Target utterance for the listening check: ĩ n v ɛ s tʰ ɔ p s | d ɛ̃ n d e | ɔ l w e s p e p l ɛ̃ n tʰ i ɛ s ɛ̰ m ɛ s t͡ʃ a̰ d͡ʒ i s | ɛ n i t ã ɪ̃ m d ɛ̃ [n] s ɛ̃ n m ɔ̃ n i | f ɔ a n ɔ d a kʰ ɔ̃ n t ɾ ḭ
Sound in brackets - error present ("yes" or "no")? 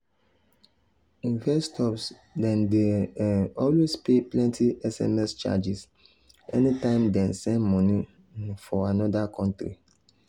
no